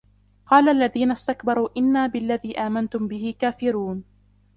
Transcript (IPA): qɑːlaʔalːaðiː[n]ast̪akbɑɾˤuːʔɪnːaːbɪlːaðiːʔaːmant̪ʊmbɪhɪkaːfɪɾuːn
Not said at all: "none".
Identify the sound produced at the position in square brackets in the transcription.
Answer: n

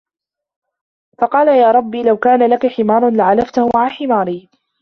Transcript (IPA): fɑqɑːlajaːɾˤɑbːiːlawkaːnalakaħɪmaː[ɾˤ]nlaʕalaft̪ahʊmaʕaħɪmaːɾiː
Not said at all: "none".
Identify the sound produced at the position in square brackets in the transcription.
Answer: ɾˤ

